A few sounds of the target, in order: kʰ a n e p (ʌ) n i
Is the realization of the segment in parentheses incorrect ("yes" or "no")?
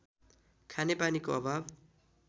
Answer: yes